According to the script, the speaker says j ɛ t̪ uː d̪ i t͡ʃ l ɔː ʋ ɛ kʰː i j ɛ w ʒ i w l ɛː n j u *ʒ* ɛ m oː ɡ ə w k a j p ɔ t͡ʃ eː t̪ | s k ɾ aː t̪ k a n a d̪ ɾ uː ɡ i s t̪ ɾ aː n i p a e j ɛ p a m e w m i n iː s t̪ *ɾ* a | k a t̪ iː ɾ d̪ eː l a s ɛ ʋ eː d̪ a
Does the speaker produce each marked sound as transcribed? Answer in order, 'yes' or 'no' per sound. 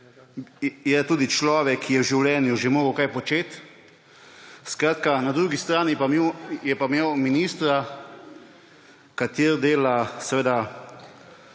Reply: yes, yes

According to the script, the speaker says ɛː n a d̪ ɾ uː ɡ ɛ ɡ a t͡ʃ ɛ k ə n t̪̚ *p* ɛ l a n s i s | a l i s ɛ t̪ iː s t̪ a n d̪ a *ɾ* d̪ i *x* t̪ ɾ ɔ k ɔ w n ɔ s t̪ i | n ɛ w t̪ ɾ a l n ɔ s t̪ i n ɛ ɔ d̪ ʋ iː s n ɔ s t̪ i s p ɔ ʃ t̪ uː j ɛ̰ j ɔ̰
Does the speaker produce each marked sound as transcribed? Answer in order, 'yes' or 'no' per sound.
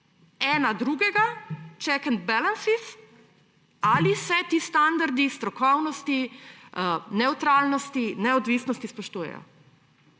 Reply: no, yes, no

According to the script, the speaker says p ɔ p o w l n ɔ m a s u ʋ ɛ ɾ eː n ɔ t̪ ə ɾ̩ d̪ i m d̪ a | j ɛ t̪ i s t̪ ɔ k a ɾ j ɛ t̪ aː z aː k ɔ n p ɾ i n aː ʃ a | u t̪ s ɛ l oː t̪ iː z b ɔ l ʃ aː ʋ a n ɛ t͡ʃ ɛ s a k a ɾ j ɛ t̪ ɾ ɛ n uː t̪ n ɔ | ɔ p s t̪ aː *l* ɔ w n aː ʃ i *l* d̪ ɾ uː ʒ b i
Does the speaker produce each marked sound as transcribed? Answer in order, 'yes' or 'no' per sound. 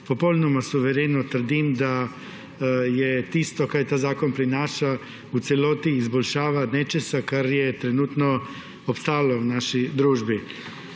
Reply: yes, no

